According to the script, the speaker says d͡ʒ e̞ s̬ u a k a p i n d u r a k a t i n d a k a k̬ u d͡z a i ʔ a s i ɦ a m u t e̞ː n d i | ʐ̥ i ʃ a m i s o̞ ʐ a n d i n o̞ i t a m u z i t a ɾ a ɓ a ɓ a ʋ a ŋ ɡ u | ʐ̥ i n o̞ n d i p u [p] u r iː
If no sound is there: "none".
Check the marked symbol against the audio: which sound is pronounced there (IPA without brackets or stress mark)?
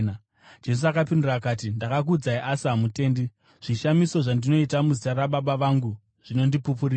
p